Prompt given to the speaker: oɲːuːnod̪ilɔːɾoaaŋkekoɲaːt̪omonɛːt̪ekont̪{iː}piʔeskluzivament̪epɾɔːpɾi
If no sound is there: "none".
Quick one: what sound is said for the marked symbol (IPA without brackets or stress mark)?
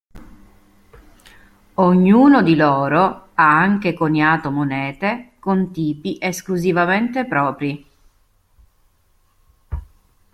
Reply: iː